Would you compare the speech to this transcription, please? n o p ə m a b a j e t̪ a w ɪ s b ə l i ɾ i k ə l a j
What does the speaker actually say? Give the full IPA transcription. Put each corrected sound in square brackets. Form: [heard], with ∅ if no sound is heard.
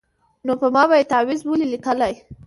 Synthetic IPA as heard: n o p ə m [ɑ] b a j e t̪ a w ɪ [z] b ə l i [l] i k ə l a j